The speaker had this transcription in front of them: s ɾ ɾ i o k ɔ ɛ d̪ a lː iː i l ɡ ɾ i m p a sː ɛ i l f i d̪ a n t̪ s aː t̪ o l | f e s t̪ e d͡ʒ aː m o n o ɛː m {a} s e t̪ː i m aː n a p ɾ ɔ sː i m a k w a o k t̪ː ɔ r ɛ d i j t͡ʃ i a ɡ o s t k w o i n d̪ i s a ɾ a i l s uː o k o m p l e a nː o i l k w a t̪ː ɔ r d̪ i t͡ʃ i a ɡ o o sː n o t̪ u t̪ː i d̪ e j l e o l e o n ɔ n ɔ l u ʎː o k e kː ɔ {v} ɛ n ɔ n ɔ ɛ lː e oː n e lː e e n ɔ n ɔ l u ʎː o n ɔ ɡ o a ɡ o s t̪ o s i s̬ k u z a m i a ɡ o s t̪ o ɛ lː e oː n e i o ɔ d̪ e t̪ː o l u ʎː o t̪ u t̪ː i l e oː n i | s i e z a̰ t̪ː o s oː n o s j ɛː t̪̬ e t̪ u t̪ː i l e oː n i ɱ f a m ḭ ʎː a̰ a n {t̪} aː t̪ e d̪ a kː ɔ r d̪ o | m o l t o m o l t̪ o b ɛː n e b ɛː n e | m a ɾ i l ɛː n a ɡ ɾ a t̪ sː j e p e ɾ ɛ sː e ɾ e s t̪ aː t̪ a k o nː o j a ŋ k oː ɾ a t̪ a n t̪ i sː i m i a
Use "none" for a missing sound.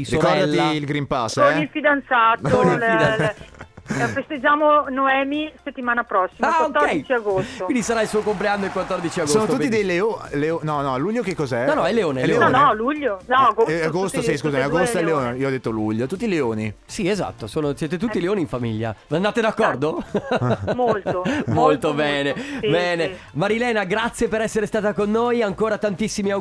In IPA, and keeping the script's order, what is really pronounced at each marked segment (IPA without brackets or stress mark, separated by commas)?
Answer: i, z, d̪